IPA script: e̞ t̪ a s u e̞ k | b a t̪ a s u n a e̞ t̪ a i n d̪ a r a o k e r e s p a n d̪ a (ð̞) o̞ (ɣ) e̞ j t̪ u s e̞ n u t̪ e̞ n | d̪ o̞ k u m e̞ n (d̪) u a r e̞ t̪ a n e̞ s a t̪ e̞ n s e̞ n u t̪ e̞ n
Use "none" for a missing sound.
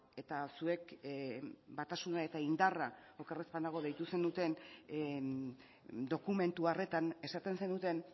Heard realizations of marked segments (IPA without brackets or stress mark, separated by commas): ɣ̞, ð, t̪